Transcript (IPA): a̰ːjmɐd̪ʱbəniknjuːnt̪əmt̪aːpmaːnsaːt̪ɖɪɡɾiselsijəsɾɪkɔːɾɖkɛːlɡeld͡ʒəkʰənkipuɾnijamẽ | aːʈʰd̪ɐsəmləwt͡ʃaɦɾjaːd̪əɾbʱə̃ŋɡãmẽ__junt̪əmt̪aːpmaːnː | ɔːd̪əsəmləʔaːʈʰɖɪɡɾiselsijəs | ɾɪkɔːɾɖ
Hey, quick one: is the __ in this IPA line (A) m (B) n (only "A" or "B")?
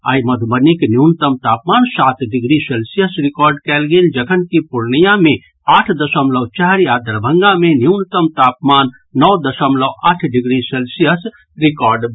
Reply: B